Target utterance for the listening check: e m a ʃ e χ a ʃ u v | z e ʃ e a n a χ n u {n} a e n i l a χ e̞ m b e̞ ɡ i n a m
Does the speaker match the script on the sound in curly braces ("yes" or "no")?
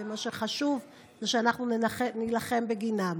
yes